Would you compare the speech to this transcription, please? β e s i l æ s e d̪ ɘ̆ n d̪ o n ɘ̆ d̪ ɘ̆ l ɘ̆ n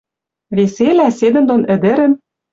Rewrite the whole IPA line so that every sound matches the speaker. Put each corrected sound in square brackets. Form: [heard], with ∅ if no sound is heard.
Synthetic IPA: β e s [e] l æ s e d̪ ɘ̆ n d̪ o n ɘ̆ d̪ ɘ̆ [ɾ] ɘ̆ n